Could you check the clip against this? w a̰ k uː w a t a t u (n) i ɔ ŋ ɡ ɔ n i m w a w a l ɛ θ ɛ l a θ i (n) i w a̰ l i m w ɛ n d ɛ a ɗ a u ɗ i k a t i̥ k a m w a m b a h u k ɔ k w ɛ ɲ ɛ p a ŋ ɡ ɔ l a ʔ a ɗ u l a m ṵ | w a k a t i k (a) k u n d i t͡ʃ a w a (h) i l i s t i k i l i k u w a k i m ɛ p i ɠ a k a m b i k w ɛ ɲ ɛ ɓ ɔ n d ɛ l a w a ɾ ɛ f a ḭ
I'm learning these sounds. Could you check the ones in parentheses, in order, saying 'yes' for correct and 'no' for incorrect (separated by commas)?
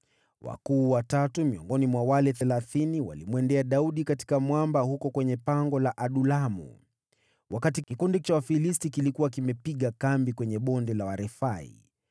no, yes, no, no